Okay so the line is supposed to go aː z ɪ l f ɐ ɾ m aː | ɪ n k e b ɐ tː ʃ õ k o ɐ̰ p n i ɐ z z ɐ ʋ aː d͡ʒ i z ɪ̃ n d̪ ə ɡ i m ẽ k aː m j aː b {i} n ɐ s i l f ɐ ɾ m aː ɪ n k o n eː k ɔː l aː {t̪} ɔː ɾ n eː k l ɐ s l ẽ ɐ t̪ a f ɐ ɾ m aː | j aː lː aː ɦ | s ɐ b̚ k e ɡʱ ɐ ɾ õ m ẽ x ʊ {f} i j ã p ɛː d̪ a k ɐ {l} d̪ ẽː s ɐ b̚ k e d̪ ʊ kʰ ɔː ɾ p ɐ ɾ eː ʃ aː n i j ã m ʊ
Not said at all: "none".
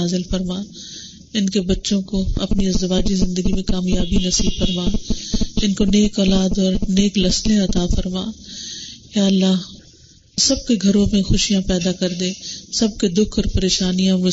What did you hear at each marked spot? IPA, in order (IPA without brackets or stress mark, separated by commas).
i, d̪, ʃ, ɾ